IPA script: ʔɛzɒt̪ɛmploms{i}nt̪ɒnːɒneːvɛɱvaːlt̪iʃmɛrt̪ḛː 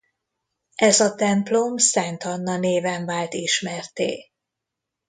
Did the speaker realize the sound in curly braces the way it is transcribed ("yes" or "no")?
no